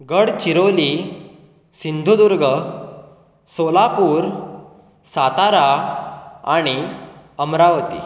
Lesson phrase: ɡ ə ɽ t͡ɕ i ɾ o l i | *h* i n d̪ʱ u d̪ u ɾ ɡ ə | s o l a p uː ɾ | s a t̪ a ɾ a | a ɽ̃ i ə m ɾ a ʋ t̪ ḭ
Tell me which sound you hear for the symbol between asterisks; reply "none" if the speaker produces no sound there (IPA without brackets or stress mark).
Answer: s